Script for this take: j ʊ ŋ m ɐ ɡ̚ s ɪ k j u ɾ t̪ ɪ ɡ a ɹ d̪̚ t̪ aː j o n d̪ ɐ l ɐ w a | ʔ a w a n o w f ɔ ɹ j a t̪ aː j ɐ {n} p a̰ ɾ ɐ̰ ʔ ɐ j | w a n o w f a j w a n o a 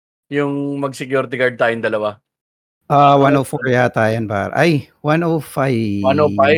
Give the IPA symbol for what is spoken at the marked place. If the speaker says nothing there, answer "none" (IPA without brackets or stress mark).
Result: n